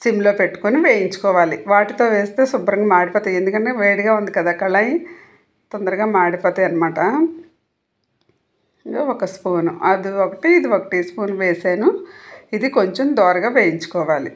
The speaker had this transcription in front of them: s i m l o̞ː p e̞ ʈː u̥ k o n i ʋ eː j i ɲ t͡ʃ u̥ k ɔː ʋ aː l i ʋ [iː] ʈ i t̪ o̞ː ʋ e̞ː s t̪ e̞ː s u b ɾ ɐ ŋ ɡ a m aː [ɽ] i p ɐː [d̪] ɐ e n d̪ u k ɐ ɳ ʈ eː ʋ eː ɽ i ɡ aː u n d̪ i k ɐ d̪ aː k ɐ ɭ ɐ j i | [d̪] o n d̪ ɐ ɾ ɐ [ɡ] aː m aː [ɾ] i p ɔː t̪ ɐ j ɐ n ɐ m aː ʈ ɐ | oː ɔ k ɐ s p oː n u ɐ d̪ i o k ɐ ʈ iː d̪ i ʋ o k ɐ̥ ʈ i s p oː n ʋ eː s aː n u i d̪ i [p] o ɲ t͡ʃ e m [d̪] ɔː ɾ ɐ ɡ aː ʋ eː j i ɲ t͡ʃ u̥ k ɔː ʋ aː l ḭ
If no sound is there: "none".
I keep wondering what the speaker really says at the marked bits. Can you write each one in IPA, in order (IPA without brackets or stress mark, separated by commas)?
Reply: aː, ɽ, t̪, t̪, ɡ, ɽ, k, d̪